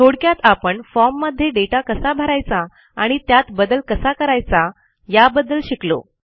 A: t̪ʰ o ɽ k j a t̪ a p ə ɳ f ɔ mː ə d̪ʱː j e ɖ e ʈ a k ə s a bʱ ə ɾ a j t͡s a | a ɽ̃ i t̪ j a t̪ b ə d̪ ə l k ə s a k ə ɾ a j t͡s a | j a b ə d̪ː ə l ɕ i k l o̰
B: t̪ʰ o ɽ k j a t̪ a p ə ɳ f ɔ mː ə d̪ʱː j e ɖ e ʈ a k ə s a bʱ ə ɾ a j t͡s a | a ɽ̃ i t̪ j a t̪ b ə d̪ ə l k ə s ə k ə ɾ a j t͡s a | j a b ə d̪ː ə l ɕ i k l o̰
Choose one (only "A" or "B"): A